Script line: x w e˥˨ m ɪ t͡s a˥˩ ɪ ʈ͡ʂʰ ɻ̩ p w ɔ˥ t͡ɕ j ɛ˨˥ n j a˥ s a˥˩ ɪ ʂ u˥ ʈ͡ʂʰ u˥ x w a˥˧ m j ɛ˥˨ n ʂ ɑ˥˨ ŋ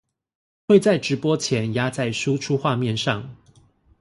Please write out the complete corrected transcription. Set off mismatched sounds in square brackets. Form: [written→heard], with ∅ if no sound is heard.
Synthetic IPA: x w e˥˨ [m→∅] ɪ t͡s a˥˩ ɪ [ʈ͡ʂʰ→ʈ͡ʂ] ɻ̩ p w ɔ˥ [t͡ɕ→t͡ɕʰ] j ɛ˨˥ n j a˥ [s→t͡s] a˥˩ ɪ ʂ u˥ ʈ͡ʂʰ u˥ x w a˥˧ m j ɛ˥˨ n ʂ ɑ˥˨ ŋ